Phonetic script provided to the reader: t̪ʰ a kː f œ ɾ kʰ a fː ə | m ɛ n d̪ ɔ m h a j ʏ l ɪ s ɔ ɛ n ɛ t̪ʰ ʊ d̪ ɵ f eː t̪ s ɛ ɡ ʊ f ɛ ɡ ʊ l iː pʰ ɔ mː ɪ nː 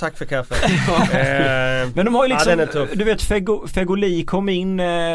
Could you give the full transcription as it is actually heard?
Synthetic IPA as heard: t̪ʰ a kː f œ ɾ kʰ a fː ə | m ɛ n d̪ ɔ m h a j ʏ l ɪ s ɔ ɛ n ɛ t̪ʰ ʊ d̪ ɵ v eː t̪ f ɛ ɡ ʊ f ɛ ɡ ʊ l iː kʰ ɔ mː ɪ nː